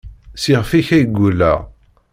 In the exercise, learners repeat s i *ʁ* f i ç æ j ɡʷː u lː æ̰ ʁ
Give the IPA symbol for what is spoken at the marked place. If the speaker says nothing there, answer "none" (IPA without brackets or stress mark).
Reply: ʁ